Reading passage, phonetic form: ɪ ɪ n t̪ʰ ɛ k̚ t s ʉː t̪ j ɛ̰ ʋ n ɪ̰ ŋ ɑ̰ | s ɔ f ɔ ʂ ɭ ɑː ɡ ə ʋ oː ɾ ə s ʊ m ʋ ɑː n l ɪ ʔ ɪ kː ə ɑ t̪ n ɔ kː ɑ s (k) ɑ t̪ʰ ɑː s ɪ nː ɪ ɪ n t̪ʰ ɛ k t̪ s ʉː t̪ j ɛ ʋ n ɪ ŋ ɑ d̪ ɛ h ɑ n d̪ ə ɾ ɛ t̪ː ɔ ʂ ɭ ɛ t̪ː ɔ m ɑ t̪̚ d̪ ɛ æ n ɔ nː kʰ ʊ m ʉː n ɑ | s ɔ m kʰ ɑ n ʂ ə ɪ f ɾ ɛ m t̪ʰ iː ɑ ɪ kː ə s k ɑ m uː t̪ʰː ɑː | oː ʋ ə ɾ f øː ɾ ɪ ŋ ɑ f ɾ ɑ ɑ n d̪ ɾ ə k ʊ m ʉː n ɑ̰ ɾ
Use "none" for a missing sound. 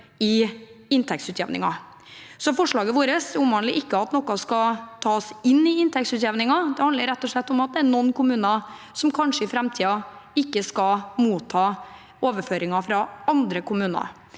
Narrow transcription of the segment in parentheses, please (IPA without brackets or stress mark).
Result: k